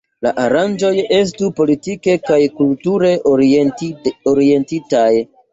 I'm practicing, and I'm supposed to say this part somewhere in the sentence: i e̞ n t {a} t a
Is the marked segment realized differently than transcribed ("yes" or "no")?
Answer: yes